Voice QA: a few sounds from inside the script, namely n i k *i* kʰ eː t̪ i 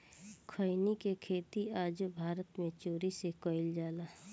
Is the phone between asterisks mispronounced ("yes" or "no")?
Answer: yes